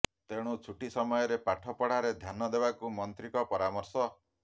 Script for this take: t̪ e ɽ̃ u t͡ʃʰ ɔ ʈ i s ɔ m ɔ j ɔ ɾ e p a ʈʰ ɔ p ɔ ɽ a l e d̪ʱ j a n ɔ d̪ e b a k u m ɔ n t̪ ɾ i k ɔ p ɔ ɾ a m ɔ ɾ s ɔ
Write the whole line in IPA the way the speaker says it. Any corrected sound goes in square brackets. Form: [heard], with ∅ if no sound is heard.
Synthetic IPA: t̪ e ɽ̃ u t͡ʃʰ [u] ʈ i s ɔ m ɔ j ɔ ɾ e p a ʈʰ ɔ p ɔ ɽ a [ɾ] e d̪ʱ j a n ɔ d̪ e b a k u m ɔ n t̪ ɾ i k ɔ p ɔ ɾ a m ɔ ɾ s ɔ